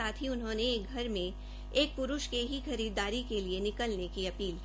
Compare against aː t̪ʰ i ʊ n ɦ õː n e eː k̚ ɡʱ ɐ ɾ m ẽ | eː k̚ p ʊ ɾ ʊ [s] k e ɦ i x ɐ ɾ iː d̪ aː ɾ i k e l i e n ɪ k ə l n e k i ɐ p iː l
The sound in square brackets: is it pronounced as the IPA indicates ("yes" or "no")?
no